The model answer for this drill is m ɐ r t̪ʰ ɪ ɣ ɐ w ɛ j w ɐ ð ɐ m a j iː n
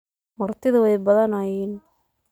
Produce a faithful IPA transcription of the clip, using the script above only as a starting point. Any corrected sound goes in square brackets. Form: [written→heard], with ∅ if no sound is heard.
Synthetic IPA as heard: m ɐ r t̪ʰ ɪ [ɣ→ð] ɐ w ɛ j [w→b] ɐ ð ɐ [m→n] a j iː n